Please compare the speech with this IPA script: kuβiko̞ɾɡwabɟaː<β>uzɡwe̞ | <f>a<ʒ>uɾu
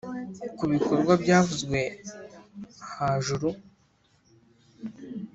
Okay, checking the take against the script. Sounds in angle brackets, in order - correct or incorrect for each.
incorrect: v, incorrect: h, correct

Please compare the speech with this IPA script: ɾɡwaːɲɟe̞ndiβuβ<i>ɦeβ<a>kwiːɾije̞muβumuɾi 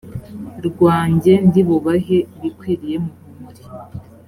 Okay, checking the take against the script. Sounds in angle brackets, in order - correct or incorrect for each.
incorrect: a, incorrect: i

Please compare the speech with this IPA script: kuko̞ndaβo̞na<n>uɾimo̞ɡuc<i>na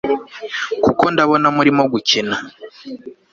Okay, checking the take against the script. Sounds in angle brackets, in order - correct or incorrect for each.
incorrect: m, correct

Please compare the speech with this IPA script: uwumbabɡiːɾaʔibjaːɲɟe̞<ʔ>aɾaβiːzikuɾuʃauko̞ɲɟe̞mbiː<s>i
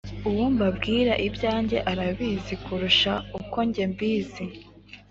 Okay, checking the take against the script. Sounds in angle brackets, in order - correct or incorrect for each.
correct, incorrect: z

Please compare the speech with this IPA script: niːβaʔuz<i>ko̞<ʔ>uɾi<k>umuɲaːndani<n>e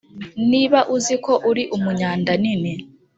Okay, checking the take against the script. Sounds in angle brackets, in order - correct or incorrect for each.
correct, correct, incorrect: ʔ, correct

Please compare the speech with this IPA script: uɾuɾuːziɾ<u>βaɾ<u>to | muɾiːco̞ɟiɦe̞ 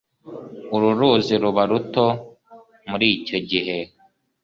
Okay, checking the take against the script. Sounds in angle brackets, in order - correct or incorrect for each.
correct, correct

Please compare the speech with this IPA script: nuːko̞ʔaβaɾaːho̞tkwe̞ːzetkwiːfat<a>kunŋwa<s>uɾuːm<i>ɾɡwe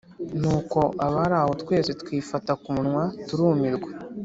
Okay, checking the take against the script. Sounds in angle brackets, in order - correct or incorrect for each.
correct, incorrect: t, correct

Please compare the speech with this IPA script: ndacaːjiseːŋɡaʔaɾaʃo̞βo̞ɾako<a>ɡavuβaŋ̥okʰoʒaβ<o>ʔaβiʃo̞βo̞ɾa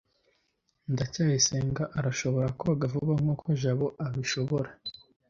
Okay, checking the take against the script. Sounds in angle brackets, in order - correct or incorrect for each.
correct, correct

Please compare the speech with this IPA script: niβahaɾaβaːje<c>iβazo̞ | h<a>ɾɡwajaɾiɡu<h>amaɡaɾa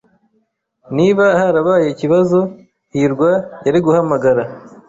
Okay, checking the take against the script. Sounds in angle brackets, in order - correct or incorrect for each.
correct, incorrect: i, correct

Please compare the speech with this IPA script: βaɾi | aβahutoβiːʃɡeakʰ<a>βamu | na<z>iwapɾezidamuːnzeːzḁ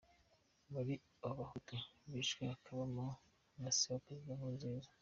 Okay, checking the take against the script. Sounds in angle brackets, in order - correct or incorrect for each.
correct, incorrect: s

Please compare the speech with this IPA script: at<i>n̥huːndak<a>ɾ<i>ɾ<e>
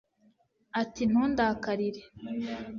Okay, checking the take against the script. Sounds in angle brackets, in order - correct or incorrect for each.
correct, correct, correct, correct

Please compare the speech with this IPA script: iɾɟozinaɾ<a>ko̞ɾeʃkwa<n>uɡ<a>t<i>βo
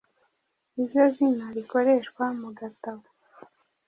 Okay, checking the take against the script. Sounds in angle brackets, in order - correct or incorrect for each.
incorrect: i, incorrect: m, correct, incorrect: a

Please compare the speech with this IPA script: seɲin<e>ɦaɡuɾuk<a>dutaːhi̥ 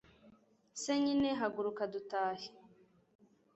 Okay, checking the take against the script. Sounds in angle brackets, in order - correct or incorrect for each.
correct, correct

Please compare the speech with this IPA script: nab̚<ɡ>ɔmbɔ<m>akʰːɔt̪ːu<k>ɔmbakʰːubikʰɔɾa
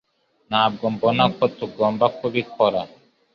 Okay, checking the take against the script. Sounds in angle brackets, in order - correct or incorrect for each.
correct, incorrect: n, incorrect: ɡ

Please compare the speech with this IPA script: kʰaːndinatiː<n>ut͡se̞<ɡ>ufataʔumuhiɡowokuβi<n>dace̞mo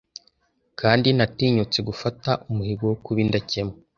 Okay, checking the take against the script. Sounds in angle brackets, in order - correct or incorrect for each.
incorrect: ɲ, correct, correct

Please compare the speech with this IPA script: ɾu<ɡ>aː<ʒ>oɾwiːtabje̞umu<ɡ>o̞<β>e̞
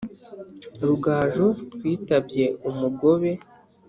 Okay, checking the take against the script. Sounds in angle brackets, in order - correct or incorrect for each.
correct, correct, correct, correct

